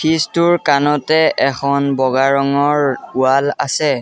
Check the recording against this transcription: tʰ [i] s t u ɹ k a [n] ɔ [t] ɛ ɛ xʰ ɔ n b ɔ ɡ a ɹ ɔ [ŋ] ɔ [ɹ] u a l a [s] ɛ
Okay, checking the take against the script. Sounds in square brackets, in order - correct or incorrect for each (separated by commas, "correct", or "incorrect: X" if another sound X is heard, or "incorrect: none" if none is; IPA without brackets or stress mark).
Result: correct, correct, correct, correct, correct, correct